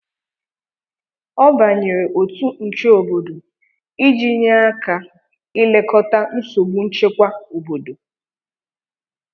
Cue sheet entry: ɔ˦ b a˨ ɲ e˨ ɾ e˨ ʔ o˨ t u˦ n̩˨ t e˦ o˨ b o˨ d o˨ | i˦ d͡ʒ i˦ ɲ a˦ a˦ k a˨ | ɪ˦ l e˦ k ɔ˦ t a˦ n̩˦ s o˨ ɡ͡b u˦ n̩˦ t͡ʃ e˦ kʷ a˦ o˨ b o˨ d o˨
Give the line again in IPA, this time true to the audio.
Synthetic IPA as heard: ɔ˦ b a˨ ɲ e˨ ɾ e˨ ʔ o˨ t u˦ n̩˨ t͡ʃ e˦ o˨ b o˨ d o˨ | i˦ d͡ʒ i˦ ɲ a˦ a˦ k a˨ | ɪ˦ l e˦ k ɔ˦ t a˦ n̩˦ s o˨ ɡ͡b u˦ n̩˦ t͡ʃ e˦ kʷ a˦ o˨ b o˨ d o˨